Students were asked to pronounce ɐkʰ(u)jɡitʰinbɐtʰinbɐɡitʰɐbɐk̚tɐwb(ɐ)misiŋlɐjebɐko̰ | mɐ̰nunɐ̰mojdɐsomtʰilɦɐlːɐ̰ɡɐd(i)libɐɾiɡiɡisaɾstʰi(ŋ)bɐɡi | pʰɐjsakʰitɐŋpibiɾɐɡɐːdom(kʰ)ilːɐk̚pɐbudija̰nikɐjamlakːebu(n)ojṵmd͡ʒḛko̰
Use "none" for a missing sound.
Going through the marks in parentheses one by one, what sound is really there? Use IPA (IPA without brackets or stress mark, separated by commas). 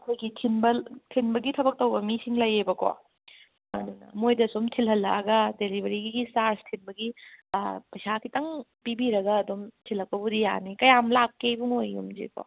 o, ɐ, e, n, tʰ, ŋ